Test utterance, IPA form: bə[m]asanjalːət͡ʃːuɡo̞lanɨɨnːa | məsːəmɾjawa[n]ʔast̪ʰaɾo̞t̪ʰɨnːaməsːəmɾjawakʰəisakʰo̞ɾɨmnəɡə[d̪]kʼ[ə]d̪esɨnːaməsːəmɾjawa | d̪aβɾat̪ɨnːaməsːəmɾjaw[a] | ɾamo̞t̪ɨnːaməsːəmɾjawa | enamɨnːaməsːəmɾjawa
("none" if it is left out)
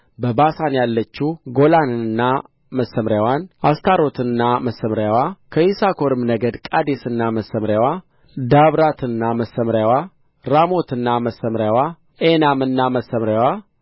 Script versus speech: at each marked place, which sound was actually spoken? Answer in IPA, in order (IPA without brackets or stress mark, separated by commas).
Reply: b, n, d̪, a, a